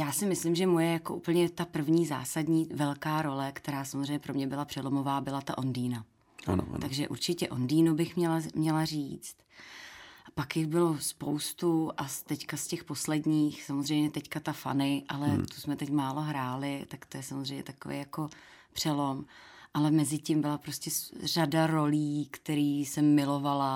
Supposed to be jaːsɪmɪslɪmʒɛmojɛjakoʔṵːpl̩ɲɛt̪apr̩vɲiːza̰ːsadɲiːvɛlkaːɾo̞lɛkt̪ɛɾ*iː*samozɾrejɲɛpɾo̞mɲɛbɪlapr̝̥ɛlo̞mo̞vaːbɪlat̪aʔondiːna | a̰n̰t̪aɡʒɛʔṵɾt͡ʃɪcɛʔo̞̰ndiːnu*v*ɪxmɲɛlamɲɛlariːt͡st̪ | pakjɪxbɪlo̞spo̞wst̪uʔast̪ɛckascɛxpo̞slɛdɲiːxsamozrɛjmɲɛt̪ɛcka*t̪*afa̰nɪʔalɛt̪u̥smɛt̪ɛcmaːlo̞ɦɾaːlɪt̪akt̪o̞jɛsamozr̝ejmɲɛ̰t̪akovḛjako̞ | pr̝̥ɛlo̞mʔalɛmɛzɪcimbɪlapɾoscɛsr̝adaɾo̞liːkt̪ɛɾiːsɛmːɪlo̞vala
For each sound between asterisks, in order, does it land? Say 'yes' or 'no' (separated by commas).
no, no, yes